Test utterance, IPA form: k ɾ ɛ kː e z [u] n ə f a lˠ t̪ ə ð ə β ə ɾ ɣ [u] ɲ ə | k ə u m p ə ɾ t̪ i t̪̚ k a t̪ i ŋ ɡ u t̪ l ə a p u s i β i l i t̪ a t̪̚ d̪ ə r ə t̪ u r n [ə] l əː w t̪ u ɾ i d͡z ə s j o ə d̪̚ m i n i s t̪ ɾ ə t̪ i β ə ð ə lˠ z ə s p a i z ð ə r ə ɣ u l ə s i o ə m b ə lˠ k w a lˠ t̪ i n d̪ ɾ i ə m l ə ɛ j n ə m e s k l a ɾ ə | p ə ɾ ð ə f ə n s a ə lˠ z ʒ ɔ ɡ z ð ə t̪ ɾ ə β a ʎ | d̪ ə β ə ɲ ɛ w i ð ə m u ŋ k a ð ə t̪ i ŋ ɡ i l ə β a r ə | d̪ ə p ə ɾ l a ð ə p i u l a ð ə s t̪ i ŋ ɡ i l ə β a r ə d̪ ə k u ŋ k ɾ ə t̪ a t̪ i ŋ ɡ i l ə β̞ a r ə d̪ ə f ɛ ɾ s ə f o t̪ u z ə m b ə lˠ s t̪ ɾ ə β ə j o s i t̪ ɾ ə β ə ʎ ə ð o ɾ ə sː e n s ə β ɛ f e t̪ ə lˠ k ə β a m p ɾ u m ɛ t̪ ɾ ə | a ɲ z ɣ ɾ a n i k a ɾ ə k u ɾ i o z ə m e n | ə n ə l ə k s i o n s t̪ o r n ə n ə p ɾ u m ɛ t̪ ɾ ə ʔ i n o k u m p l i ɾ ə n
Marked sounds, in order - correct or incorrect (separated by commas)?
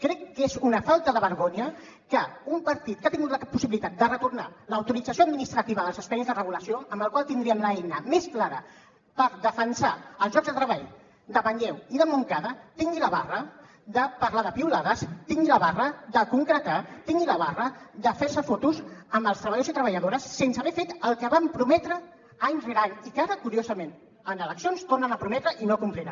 correct, incorrect, incorrect